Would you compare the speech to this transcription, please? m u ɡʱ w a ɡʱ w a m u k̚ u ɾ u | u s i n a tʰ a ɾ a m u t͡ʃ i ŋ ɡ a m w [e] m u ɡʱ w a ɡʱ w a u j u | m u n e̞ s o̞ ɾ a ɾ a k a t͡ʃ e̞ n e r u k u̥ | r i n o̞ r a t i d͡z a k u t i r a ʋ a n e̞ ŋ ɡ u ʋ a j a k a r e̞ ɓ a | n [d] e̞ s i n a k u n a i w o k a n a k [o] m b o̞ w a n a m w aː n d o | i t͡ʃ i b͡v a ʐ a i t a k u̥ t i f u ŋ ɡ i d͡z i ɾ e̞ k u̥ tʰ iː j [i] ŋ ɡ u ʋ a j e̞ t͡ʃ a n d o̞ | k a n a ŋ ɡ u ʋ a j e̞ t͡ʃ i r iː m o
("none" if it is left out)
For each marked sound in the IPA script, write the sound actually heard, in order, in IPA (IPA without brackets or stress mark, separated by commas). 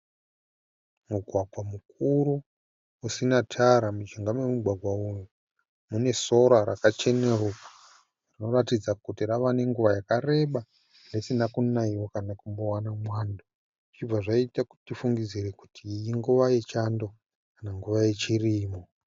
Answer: e, d, u, i